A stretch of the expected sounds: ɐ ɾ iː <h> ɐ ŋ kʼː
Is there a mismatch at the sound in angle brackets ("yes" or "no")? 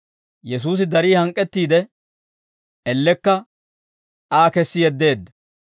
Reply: no